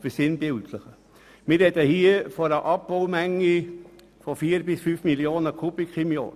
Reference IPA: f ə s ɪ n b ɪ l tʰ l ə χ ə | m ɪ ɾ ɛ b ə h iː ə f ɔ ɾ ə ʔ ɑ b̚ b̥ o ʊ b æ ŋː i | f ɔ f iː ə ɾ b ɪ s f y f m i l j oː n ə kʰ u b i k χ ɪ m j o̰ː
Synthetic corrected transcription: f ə s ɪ n b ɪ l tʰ l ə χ ə | m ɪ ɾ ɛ d ə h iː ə f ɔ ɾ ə ʔ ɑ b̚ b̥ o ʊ m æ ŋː i | f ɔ f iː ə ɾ b ɪ s f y f m i l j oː n ə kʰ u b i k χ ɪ m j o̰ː